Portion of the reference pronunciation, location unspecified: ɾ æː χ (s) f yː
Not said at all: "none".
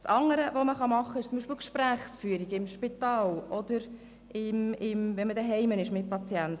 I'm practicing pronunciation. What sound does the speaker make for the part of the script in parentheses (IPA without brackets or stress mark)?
s